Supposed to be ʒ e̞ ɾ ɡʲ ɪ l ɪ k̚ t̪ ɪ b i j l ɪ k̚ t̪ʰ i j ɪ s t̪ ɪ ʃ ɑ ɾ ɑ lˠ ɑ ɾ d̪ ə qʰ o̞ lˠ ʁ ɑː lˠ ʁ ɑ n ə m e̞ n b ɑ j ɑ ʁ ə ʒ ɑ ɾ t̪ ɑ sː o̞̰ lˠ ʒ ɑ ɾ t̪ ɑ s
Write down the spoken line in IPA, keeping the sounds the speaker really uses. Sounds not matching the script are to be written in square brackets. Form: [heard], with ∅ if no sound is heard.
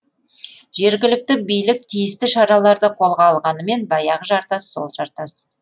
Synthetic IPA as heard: ʒ e̞ ɾ ɡʲ ɪ l ɪ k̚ t̪ ɪ b i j l ɪ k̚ t̪ʰ i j ɪ s t̪ ɪ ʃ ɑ ɾ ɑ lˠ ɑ ɾ d̪ ə qʰ o̞ lˠ ʁ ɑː lˠ ʁ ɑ n ə m e̞ n b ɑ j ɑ ʁ ə ʒ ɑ ɾ t̪ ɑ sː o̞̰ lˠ ʒ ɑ ɾ t̪ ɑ s